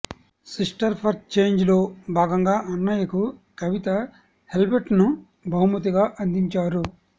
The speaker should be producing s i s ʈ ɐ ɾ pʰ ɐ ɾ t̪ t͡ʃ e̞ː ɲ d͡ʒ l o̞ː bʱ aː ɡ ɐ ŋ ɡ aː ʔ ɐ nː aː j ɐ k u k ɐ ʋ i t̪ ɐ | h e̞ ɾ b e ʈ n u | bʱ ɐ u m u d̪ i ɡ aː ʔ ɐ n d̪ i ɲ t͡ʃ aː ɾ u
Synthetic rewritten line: s i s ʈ ɐ ɾ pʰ ɐ ɾ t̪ t͡ʃ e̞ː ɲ d͡ʒ l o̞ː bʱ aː ɡ ɐ ŋ ɡ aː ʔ ɐ nː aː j ɐ k u k ɐ ʋ i t̪ ɐ | h e̞ l b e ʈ n u | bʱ ɐ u m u t̪ i ɡ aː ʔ ɐ n d̪ i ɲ t͡ʃ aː ɾ u